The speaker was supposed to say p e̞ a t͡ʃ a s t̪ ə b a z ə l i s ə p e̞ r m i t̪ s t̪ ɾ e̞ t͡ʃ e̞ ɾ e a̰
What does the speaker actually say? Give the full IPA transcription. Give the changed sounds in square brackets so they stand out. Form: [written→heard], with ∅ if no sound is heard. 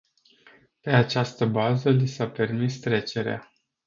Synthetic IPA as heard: p e̞ a t͡ʃ a s t̪ ə b a z ə l i s [ə→a] p e̞ r m i [t̪→∅] s t̪ ɾ e̞ t͡ʃ e̞ ɾ e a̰